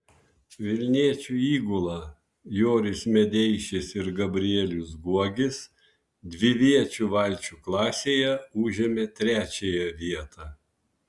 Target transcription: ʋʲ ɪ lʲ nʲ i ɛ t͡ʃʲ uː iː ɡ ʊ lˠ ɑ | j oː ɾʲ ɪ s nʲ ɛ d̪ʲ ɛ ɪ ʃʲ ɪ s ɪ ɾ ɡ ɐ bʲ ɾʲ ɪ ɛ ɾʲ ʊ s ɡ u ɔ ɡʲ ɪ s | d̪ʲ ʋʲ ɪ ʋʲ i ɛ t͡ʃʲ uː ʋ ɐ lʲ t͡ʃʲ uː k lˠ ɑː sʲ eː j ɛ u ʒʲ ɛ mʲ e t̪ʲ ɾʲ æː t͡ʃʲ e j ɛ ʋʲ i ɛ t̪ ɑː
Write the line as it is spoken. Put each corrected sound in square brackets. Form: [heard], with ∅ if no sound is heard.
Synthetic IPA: ʋʲ ɪ lʲ nʲ i ɛ t͡ʃʲ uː iː ɡ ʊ lˠ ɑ | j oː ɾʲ ɪ s [mʲ] ɛ d̪ʲ ɛ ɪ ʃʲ ɪ s ɪ ɾ ɡ ɐ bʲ ɾʲ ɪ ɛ [lʲ] ʊ s ɡ u ɔ ɡʲ ɪ s | d̪ʲ ʋʲ ɪ ʋʲ i ɛ t͡ʃʲ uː ʋ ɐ lʲ t͡ʃʲ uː k lˠ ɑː sʲ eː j ɛ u ʒʲ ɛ mʲ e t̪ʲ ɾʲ æː t͡ʃʲ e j ɛ ʋʲ i ɛ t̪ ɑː